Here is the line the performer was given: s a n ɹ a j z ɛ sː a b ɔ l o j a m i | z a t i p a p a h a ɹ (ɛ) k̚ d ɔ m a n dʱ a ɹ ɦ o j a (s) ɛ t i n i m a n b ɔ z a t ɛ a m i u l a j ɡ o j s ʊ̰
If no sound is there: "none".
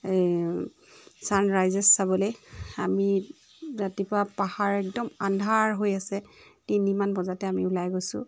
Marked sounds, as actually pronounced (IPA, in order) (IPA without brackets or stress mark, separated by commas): ɛ, s